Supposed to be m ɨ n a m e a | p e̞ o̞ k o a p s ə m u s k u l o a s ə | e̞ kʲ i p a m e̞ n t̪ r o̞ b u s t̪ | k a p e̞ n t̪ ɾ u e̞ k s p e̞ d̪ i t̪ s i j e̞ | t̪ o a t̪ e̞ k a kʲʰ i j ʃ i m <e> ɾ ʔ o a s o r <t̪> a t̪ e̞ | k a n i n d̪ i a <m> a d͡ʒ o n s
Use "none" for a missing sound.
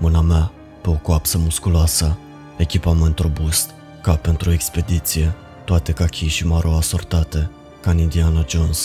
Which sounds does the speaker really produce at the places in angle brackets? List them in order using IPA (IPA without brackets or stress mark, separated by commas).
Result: a, t̪, n